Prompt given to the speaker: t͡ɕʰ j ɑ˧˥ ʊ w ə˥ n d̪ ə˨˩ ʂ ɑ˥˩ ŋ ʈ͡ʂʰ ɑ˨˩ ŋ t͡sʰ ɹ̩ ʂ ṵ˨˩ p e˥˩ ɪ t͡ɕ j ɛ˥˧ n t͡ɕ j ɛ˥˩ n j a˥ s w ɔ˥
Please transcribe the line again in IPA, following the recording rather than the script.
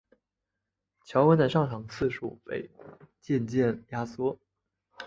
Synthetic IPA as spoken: t͡ɕʰ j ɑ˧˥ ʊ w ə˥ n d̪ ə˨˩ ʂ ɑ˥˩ ŋ ʈ͡ʂʰ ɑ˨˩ ŋ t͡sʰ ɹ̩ ʂ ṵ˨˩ p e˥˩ ɪ t͡ɕ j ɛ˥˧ n t͡ɕ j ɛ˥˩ n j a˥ s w ɔ˥